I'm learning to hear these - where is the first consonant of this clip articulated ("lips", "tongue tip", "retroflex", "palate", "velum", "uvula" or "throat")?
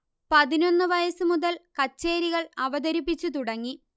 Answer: lips